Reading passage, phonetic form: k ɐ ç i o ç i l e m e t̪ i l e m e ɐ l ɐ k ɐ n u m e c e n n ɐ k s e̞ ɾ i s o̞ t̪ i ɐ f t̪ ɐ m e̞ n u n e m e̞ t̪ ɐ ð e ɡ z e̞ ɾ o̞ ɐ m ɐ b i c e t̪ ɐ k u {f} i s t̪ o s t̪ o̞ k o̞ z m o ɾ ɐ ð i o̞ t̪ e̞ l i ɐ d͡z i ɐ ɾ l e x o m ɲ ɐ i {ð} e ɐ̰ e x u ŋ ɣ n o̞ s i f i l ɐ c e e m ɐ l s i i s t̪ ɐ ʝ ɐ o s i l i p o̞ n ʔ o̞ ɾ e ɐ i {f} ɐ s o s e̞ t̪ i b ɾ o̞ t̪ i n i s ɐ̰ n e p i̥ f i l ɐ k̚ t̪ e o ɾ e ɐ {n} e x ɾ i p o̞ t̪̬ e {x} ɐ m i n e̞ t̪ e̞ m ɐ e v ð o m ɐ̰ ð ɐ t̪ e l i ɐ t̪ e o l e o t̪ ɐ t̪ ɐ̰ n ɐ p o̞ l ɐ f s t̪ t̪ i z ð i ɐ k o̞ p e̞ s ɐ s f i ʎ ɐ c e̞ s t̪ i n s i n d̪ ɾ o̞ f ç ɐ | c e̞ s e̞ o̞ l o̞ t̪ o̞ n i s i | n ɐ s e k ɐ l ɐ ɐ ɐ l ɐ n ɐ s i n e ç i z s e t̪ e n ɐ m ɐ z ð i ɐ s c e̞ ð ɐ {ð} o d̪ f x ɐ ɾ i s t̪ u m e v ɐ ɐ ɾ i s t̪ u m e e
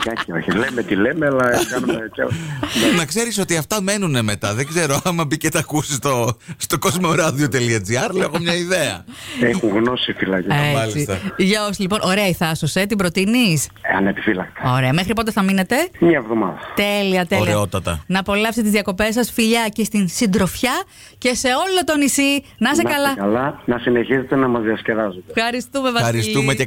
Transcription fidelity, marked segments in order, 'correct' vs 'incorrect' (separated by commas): incorrect, correct, incorrect, incorrect, incorrect, incorrect